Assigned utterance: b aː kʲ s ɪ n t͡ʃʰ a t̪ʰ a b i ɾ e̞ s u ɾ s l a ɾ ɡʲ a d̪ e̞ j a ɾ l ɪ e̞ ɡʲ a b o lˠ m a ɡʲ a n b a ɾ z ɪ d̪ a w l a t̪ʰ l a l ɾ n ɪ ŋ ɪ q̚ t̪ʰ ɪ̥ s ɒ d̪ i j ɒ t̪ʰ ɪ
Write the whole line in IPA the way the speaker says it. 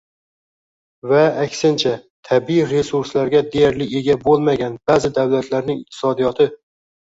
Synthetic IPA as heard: v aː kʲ s ɪ n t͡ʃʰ a t̪ʰ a b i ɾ e̞ s u ɾ s l a ɾ ɡʲ a d̪ e̞ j a ɾ l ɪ e̞ ɡʲ a b o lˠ m a ɡʲ a n b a z ɪ d̪ a w l a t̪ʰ l a ɾ n ɪ ŋ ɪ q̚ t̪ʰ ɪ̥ s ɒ d̪ i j ɒ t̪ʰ ɪ